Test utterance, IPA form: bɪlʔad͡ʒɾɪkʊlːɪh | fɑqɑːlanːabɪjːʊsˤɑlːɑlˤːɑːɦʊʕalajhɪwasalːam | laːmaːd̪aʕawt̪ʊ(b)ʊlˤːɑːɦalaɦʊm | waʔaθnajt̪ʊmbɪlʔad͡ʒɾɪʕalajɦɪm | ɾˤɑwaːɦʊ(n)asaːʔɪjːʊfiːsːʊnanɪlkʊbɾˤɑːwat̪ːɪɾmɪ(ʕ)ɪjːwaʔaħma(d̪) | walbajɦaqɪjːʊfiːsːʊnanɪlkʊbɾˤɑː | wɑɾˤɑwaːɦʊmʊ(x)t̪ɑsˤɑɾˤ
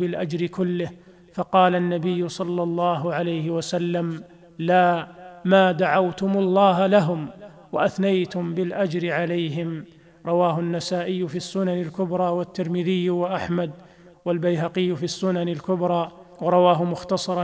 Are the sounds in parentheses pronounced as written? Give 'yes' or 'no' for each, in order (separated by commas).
no, no, no, yes, yes